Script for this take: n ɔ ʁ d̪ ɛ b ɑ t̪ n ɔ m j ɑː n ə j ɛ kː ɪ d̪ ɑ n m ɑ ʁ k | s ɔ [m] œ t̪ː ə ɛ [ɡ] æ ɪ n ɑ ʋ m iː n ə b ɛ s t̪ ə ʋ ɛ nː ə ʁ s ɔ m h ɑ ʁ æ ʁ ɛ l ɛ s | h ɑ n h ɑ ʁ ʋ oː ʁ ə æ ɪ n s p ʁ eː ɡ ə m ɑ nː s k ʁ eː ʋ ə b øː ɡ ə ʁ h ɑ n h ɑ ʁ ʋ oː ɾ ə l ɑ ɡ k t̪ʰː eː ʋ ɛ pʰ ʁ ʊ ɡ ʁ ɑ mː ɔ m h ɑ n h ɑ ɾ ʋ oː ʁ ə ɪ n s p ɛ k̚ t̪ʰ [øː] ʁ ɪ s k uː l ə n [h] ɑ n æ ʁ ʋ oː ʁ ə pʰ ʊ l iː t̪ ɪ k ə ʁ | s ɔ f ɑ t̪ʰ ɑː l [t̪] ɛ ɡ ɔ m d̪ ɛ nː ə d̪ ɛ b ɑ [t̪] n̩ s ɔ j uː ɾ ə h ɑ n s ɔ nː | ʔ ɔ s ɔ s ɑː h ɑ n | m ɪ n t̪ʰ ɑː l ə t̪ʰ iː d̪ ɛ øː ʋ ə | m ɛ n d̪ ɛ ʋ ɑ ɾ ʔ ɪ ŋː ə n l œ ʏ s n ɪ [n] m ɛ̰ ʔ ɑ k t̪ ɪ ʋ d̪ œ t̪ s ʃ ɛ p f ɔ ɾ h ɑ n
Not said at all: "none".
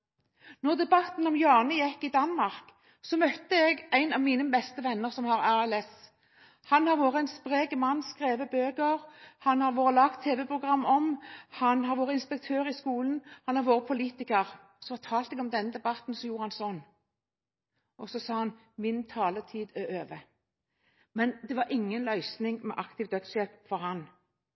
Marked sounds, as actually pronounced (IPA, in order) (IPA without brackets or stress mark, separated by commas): m, ɡ, øː, h, t̪, t̪, ŋ